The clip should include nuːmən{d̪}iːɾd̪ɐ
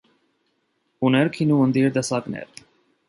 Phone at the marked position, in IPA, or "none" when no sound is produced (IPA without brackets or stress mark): d̪